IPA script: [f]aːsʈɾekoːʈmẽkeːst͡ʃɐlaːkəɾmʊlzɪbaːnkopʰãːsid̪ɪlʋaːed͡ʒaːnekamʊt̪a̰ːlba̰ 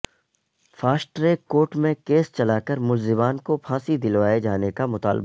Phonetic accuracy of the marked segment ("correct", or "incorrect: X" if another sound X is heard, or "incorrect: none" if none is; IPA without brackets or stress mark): correct